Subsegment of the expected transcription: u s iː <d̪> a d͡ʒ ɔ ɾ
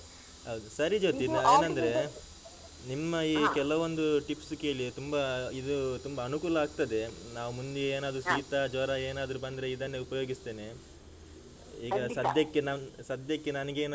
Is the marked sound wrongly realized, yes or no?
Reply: yes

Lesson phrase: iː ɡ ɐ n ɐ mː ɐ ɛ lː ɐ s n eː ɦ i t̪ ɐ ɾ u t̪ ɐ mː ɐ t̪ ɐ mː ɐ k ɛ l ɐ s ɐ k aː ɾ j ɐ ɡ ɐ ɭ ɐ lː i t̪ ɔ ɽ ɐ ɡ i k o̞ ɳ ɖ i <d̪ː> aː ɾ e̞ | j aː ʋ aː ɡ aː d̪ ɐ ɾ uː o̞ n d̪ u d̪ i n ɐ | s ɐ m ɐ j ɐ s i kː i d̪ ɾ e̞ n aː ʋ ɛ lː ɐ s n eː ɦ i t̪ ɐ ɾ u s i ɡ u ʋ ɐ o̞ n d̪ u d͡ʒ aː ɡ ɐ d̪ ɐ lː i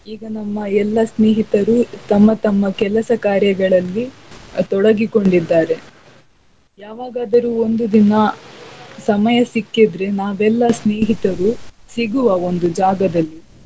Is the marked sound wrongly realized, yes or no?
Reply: no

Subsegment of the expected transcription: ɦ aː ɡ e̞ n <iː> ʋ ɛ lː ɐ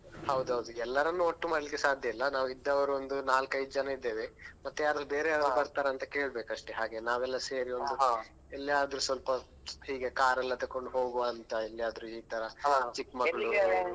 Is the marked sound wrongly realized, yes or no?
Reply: yes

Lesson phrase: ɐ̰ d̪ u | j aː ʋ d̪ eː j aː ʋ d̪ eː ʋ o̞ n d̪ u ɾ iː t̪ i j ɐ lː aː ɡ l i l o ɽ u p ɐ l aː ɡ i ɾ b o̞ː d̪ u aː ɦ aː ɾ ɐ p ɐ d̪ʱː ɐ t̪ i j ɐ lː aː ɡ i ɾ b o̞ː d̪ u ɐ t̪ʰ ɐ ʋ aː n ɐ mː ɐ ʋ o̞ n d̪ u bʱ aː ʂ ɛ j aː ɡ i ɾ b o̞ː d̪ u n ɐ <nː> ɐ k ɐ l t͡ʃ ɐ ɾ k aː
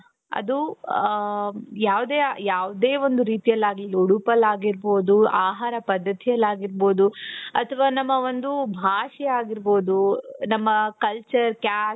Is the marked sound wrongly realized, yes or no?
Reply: yes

